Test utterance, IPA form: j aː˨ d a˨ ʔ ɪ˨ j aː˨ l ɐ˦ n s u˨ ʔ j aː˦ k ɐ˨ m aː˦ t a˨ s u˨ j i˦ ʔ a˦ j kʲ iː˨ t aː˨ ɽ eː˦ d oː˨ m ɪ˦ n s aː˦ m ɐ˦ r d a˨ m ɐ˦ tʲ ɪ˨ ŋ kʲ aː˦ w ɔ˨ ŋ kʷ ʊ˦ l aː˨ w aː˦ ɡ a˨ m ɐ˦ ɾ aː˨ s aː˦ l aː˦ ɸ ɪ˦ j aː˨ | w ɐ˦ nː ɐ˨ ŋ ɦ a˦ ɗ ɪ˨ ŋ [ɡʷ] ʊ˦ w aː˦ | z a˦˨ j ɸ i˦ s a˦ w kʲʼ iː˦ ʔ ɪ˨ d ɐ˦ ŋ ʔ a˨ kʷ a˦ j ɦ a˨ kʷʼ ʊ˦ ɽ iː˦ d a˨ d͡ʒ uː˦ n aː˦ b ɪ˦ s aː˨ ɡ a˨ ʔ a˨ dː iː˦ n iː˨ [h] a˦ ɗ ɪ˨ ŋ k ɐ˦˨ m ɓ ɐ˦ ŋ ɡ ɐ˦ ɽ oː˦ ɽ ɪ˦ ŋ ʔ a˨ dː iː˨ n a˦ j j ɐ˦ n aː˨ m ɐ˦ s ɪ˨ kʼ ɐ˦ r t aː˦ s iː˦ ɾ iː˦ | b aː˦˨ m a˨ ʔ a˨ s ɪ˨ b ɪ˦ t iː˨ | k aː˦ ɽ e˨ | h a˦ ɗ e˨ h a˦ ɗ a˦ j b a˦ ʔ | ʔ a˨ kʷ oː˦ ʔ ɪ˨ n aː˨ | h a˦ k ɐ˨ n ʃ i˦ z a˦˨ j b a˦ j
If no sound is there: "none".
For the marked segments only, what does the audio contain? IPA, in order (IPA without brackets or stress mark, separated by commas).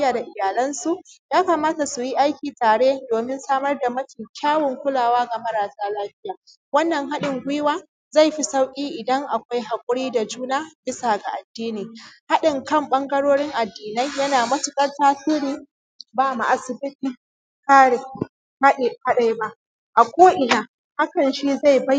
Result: ɡʷ, h